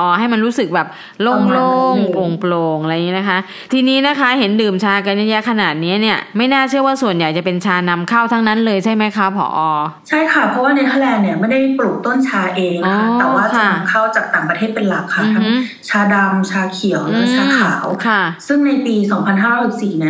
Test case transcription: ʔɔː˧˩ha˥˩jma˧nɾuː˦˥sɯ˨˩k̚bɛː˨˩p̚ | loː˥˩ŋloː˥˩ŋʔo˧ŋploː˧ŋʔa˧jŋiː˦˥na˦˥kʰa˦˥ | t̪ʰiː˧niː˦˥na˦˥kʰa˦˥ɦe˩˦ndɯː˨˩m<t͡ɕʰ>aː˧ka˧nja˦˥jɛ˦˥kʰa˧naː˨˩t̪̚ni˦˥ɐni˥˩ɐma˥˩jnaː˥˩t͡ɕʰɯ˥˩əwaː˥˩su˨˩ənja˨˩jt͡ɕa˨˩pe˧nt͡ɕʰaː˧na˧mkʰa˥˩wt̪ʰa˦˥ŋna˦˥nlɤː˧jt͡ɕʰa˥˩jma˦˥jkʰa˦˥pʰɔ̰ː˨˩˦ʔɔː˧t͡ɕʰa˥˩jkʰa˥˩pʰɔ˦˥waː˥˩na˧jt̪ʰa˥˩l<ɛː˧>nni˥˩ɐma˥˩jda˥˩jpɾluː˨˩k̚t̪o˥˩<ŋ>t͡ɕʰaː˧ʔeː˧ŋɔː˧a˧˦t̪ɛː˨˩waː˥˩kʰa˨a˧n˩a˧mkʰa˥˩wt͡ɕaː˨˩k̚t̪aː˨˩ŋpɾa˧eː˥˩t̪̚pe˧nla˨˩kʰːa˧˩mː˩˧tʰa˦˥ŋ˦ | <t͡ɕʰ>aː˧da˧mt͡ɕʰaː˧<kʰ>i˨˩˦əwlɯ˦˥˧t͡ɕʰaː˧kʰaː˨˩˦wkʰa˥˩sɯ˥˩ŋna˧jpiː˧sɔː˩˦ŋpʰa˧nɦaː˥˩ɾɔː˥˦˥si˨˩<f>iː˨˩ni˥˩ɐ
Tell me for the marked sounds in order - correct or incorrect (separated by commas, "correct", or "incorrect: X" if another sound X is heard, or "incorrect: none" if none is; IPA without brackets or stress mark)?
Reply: correct, correct, incorrect: n, correct, correct, incorrect: s